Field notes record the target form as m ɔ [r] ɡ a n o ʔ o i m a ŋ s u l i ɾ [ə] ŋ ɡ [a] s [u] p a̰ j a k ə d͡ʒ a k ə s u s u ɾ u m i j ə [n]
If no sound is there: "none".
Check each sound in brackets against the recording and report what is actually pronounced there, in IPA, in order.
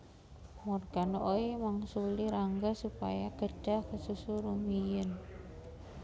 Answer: r, a, a, u, n

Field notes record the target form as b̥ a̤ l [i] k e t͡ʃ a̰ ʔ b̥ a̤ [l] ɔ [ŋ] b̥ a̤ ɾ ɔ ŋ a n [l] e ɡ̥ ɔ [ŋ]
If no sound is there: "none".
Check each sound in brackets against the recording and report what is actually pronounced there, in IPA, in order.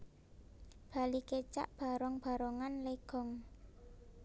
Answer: i, ɾ, ŋ, l, ŋ

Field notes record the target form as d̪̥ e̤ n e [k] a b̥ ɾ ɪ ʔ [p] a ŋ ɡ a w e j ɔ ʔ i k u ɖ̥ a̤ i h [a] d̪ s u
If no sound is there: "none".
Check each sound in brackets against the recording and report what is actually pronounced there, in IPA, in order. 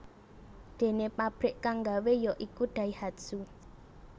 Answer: p, k, a

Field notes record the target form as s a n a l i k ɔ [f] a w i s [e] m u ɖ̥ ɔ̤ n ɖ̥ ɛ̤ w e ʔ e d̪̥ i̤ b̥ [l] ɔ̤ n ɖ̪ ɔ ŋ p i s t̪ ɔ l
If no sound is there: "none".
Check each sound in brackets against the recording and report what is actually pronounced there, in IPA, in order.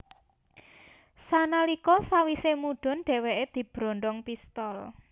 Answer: s, e, ɾ

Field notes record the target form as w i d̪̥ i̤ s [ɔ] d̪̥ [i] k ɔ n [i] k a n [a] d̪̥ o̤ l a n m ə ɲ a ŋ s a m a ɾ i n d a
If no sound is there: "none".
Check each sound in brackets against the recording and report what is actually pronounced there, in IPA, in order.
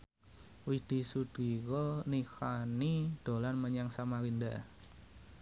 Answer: u, i, i, i

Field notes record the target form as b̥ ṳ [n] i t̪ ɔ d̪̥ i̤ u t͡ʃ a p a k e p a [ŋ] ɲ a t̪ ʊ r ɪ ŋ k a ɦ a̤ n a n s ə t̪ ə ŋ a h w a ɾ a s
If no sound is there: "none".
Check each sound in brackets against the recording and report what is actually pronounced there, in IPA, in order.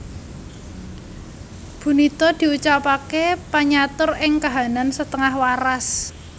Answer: n, none

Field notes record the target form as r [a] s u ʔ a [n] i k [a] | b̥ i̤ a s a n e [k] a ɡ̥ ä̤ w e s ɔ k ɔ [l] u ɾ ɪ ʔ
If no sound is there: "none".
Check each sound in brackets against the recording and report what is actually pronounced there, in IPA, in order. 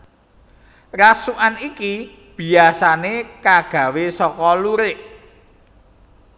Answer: a, n, i, k, l

